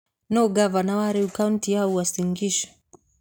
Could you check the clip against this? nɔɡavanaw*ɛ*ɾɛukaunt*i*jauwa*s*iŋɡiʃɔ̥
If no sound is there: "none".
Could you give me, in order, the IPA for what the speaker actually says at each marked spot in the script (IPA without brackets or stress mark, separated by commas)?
a, i, s